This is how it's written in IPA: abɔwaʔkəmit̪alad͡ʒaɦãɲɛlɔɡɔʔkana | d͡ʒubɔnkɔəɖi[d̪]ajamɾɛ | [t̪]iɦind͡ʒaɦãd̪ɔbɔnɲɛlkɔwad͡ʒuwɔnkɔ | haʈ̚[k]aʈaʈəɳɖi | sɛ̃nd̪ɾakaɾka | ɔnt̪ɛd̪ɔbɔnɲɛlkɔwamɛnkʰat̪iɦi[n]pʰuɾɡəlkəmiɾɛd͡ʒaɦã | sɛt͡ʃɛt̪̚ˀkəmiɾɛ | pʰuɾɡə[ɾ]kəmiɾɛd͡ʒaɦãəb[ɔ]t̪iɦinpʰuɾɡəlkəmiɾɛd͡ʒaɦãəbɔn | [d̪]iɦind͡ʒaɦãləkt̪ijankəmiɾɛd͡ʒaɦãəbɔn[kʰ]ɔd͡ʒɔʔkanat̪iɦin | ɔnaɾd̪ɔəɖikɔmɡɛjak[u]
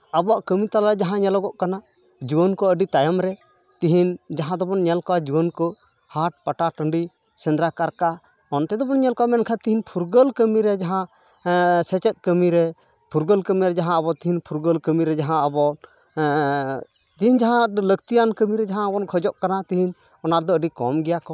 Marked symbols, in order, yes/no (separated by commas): no, yes, no, yes, no, yes, no, yes, no